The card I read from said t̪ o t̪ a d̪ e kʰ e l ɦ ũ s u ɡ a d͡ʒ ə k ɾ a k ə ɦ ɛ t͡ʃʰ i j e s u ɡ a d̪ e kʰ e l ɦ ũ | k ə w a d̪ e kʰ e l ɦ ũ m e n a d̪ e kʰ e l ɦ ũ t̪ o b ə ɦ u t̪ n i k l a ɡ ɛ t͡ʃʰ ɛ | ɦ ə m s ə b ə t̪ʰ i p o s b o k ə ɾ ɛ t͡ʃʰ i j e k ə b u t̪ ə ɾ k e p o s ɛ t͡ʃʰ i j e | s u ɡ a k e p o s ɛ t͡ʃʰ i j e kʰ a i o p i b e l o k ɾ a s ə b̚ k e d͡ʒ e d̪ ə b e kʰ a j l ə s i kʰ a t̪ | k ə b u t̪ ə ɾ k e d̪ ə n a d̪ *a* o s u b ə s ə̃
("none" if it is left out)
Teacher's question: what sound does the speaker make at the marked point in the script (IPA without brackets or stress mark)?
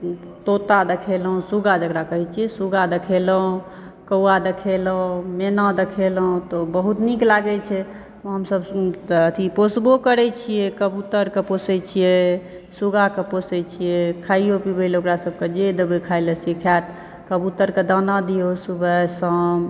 i